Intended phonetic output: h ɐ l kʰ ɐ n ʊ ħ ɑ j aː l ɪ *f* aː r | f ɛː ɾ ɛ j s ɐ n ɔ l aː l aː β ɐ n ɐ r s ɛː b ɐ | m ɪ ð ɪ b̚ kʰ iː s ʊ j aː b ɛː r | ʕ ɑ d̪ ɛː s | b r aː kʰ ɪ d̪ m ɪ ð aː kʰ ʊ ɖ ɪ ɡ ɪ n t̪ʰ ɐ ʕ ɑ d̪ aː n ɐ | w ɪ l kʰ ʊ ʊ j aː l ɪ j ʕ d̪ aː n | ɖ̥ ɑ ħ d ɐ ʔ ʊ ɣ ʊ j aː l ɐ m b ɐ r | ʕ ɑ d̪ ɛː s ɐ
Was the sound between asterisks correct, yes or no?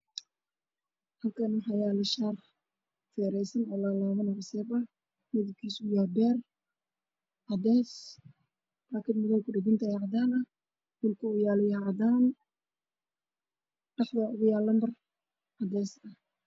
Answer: no